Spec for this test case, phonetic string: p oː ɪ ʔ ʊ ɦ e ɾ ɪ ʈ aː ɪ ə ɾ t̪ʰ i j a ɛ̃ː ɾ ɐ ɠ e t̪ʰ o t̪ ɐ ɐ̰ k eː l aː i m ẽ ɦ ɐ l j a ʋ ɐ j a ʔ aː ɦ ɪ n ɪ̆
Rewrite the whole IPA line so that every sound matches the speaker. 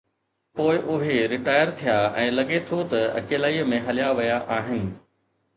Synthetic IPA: p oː ɪ ʔ ʊ ɦ e ɾ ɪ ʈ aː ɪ ə ɾ t̪ʰ i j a ɛ̃ː l ɐ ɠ e t̪ʰ o t̪ ɐ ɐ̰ k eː l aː i m ẽ ɦ ɐ l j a ʋ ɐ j a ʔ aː ɦ ɪ n ɪ̆